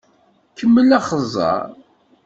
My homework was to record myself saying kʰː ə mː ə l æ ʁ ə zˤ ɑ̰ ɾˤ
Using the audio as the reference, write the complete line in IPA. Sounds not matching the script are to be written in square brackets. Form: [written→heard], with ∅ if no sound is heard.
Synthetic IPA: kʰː ə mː ə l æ [ʁ→χ] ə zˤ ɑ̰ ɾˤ